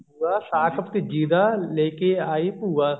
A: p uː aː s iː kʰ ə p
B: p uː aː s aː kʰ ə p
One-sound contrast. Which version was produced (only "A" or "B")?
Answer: B